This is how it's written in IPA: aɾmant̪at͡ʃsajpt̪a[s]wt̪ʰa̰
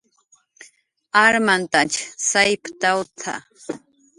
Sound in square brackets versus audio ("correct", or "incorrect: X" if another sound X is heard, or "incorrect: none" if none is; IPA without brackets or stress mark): incorrect: none